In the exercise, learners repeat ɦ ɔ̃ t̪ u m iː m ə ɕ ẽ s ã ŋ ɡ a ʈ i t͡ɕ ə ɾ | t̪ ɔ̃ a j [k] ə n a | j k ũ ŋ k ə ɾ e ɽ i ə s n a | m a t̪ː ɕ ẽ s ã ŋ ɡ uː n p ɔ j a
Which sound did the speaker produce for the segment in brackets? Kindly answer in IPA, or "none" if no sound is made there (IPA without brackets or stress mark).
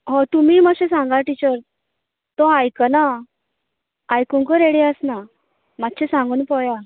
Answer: k